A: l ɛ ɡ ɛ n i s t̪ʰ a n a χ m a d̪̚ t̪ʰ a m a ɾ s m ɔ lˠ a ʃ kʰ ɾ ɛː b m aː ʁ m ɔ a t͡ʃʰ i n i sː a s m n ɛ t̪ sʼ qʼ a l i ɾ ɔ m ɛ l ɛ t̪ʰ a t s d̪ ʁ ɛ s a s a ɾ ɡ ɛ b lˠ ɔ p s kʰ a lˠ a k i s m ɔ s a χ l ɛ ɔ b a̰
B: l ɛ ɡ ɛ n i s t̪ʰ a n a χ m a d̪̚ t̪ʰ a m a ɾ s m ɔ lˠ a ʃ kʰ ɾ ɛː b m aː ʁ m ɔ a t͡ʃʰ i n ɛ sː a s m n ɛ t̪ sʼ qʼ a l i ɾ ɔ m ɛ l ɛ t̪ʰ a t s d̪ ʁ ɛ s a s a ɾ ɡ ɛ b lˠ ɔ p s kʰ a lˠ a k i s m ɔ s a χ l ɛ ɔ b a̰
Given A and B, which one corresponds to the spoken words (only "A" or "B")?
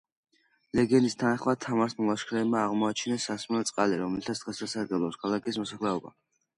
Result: B